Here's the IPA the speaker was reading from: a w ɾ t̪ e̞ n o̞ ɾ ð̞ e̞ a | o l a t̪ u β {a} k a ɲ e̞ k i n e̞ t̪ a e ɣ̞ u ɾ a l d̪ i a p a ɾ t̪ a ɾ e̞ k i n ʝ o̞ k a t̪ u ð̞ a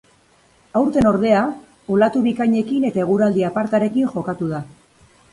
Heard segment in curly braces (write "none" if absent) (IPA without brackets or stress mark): i